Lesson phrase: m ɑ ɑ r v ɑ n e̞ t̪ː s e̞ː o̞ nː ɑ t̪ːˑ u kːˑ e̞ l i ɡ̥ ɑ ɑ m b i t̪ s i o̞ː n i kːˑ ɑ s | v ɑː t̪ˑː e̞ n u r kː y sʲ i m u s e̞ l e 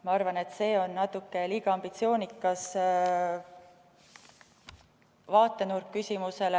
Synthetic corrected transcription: m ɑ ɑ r v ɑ n e̞ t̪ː s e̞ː o̞ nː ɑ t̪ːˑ u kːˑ e̞ l i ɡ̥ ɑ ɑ m b i t̪ s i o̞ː n i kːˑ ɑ s | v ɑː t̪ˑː e̞ n u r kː y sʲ i m u s e̞ l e